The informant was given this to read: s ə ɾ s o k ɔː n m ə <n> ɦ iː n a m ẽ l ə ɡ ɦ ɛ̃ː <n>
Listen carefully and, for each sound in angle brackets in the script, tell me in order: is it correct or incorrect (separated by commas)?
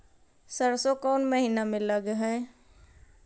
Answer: incorrect, incorrect